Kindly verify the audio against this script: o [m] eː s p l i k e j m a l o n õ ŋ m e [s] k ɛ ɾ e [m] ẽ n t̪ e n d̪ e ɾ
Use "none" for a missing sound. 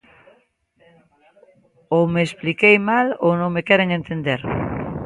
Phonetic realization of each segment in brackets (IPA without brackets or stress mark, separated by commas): m, none, ŋ